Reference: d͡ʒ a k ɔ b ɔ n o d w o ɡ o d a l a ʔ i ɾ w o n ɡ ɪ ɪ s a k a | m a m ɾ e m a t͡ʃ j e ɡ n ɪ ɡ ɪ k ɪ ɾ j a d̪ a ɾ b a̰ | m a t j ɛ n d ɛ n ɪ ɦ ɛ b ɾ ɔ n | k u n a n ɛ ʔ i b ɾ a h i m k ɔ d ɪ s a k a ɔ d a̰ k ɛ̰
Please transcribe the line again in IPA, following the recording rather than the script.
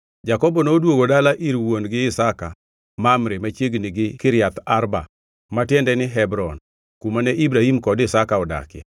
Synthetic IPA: d͡ʒ a k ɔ b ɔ n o d w o ɡ o d a l a ʔ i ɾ w o n ɡ ɪ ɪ s a k a | m a m ɾ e m a t͡ʃ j e ɡ n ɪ ɡ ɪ k ɪ ɾ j a t̪ a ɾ b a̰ | m a t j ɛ n d ɛ n ɪ ɦ ɛ b ɾ ɔ n | k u m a n ɛ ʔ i b ɾ a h i m k ɔ d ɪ s a k a ɔ d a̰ k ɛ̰